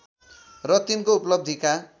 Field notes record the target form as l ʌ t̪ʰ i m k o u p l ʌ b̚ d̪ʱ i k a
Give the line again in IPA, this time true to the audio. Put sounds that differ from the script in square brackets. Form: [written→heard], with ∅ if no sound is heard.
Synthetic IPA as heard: [l→r] ʌ [t̪ʰ→t̪] i [m→n] k o u p l ʌ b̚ d̪ʱ i k a